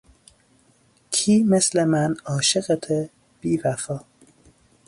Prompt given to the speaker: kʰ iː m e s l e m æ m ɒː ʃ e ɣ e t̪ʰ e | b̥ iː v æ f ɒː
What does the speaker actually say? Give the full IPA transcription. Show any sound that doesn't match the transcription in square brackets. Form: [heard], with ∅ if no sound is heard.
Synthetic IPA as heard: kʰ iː m e s l e m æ [n] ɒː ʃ e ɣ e t̪ʰ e | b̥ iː v æ f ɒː